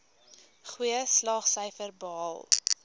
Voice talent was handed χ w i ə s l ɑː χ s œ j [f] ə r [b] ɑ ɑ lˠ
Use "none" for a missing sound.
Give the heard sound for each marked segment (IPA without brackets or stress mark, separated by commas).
f, b